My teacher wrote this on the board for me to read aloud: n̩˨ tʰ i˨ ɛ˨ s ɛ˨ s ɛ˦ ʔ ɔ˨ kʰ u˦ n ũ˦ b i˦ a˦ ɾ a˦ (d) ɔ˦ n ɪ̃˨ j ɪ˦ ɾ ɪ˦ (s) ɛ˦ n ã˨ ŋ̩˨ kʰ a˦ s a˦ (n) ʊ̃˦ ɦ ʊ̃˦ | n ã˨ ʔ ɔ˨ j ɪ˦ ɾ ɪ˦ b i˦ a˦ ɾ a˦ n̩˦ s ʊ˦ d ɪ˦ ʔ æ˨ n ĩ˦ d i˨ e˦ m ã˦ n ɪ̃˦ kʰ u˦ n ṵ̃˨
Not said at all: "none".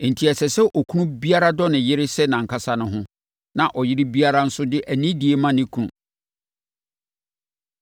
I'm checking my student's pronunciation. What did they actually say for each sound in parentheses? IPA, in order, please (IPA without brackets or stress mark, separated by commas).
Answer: d, s, n